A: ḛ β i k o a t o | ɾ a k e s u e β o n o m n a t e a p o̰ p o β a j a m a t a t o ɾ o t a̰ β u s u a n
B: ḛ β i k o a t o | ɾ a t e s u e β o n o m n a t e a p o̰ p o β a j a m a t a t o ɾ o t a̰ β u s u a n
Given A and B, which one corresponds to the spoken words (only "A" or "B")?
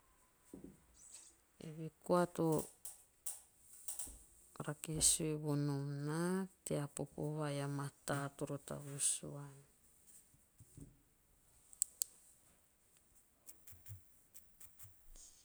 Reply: A